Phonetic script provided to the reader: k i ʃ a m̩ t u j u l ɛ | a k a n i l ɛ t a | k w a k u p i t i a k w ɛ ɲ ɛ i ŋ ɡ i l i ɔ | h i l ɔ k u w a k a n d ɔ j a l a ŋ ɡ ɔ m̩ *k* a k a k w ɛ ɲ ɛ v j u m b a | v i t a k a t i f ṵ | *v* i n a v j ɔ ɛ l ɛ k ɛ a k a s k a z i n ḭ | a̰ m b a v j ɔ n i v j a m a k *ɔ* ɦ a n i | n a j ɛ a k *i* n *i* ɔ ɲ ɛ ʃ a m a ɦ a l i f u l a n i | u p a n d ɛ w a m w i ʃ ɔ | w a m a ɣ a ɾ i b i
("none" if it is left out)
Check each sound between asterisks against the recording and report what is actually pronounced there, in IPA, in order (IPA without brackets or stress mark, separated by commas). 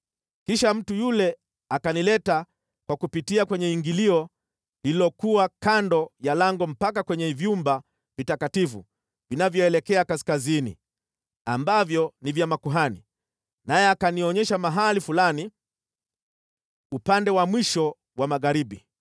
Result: p, v, u, a, i